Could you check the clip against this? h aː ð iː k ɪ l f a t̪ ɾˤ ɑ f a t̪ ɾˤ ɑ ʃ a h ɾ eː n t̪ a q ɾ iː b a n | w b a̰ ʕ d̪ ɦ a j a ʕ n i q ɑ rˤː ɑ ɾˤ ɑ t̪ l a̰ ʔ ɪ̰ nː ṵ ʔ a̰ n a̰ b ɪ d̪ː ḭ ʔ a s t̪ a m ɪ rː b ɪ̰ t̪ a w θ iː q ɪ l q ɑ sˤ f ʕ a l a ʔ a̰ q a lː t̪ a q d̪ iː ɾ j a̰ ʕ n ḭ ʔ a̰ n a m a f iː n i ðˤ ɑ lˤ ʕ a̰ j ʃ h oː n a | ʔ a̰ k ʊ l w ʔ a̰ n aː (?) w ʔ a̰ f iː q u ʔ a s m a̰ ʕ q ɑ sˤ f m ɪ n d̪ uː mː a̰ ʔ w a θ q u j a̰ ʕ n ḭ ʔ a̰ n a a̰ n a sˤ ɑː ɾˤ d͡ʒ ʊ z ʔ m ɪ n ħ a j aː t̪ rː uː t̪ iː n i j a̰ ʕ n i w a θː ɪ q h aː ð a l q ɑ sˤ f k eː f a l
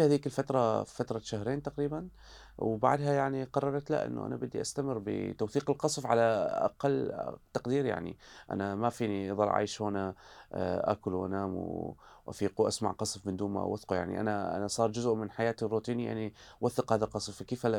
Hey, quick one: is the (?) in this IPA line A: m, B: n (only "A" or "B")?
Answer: A